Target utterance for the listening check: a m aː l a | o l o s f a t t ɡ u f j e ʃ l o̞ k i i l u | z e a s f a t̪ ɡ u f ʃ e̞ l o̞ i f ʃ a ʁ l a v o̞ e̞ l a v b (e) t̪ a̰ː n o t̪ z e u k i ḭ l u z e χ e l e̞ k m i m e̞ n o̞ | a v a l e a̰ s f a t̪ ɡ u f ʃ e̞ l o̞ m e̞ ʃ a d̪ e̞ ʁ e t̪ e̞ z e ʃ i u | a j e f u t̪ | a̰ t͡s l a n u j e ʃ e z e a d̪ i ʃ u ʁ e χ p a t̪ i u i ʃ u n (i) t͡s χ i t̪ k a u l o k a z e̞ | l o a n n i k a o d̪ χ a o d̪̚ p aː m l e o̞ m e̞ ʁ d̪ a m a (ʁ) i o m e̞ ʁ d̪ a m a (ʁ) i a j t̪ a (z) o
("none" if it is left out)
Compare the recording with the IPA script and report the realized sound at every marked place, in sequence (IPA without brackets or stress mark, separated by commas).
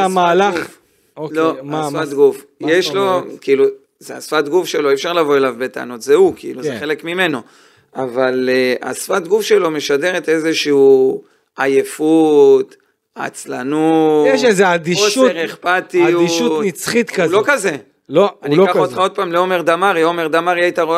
e, i, ʁ, ʁ, ʁ